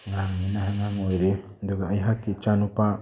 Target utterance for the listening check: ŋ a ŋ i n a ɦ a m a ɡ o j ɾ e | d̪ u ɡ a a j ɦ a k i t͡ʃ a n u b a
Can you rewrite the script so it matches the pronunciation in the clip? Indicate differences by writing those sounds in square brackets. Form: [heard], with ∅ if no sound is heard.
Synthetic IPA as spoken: ŋ a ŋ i n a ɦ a [ŋ] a [ŋ] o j ɾ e | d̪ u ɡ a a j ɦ a k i t͡ʃ a n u [p] a